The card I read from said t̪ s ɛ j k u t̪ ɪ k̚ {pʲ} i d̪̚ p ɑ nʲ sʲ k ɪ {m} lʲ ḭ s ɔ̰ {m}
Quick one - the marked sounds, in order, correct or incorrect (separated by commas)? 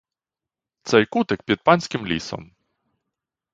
correct, correct, correct